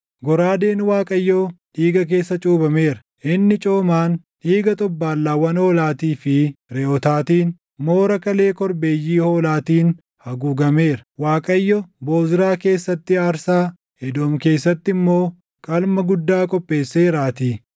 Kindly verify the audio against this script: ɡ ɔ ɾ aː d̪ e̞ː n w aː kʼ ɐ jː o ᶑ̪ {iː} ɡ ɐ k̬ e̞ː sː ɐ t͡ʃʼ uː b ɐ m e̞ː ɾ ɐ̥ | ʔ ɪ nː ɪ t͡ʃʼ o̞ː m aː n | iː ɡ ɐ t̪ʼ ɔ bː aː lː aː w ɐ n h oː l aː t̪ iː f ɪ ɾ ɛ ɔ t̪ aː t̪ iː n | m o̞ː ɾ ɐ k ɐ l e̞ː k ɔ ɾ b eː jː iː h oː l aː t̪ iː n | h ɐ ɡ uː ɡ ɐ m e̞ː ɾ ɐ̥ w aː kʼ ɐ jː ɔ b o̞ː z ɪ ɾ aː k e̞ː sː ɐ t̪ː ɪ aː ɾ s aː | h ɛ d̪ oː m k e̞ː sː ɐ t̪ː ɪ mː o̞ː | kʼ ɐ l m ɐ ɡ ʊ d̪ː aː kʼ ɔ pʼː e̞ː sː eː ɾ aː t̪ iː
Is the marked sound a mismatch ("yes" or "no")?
no